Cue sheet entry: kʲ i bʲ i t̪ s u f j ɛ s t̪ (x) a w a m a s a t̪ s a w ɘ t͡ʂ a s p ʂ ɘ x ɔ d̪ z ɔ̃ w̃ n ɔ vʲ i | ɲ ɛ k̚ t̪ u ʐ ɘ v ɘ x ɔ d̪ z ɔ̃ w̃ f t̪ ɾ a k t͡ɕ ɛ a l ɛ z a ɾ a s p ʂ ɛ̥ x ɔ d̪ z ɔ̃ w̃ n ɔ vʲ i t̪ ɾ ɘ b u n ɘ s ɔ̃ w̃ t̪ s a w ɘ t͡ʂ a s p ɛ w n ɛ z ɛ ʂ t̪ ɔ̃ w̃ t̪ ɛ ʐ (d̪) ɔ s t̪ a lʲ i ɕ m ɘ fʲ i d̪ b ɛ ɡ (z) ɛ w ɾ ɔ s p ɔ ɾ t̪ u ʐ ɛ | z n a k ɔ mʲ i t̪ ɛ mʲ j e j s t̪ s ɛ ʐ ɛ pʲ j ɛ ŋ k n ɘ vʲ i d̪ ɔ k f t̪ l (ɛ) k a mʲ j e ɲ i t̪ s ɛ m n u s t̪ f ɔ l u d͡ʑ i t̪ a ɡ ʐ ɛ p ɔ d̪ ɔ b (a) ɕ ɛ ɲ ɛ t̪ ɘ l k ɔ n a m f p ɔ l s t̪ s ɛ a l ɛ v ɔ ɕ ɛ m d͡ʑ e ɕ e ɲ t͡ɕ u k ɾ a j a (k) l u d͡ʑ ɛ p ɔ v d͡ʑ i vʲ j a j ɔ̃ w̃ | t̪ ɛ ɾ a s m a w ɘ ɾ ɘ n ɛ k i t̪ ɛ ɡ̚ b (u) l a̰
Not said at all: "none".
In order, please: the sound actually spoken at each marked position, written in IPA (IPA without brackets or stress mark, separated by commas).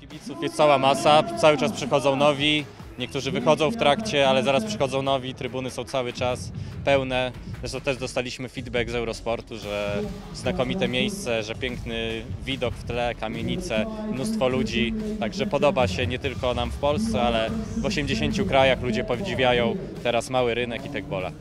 s, d̪, z, ɛ, a, x, ɔ